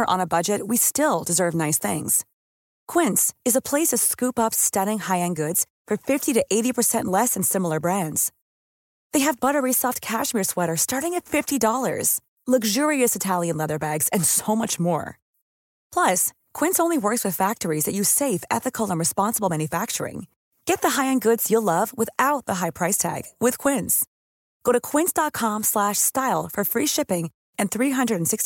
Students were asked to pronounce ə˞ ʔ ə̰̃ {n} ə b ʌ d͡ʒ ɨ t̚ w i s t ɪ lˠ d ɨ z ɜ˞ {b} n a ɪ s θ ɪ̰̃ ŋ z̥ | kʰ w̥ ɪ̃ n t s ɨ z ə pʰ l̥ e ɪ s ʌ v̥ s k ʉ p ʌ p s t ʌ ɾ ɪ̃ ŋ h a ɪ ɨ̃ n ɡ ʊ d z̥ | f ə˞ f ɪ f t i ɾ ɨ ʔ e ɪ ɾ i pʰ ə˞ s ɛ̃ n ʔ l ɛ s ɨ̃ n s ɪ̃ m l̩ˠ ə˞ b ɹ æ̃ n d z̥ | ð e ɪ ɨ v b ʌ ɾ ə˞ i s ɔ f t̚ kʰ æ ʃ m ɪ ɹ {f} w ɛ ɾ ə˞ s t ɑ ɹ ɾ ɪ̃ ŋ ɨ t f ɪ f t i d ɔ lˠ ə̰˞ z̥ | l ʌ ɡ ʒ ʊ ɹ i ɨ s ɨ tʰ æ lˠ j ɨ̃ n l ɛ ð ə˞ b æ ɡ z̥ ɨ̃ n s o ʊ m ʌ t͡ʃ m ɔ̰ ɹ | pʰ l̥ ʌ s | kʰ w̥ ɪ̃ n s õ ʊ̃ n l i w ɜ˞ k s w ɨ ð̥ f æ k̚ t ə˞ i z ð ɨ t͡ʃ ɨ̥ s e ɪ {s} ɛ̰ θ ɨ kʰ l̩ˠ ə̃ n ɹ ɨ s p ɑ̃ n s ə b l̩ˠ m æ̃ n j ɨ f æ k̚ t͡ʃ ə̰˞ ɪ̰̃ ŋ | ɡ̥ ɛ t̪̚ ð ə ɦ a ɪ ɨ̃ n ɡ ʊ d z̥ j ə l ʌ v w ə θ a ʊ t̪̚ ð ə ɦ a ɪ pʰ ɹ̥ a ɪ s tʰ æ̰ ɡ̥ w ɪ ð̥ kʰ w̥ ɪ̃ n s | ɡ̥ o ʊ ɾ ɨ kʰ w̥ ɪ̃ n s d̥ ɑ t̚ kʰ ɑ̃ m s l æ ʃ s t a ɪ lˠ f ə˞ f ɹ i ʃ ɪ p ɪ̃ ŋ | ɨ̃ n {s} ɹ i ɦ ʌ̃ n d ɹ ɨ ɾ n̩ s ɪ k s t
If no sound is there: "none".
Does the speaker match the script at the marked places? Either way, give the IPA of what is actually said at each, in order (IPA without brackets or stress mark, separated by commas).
n, v, s, f, θ